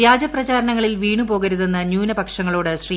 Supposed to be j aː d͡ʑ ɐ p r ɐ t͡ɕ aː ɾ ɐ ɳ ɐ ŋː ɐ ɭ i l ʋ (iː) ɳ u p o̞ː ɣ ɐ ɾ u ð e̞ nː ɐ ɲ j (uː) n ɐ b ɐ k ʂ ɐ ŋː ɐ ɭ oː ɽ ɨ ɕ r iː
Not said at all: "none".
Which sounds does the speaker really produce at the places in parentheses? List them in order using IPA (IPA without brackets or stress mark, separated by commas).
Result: iː, uː